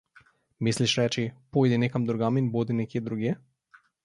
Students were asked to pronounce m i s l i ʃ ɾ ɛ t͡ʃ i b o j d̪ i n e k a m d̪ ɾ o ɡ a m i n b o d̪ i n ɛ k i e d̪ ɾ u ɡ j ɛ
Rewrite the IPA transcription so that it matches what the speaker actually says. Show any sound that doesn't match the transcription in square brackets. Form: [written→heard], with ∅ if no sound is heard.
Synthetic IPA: m i s l i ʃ ɾ ɛ t͡ʃ i [b→p] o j d̪ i n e k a m d̪ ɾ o ɡ a m i n b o d̪ i n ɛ k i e d̪ ɾ u ɡ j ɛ